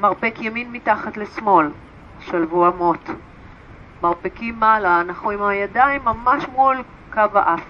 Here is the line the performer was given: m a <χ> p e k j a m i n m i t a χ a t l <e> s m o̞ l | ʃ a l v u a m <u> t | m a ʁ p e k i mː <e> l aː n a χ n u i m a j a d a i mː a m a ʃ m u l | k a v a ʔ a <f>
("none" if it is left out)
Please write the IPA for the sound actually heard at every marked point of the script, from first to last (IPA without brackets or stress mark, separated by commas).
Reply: ʁ, e, o, a, f